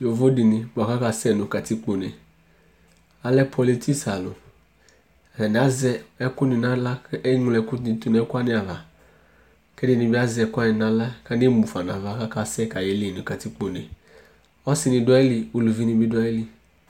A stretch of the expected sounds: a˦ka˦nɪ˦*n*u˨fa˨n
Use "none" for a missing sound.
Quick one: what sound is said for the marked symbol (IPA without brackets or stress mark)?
m